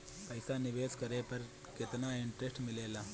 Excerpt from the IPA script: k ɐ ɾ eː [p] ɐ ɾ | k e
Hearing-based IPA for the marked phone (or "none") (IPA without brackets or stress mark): p